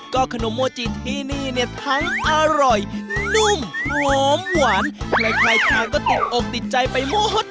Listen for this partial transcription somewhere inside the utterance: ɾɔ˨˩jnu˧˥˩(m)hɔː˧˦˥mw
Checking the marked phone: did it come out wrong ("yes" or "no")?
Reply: no